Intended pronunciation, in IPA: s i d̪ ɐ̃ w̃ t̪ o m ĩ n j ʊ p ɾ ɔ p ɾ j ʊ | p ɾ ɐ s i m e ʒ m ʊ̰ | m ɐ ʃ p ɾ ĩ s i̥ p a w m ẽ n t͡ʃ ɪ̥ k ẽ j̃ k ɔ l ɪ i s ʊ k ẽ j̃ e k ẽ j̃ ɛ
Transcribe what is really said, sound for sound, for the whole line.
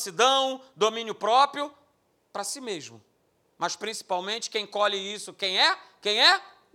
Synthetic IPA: s i d̪ ɐ̃ w̃ d̪ o m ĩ n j ʊ p ɾ ɔ p ɾ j ʊ | p ɾ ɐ s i m e ʒ m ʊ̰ | m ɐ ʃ p ɾ ĩ s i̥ p a w m ẽ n t͡ʃ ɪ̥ k ẽ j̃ k ɔ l ɪ i s ʊ k ẽ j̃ ɛ k ẽ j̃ ɛ